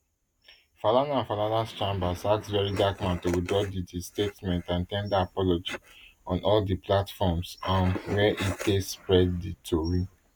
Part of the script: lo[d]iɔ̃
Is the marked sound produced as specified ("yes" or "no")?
no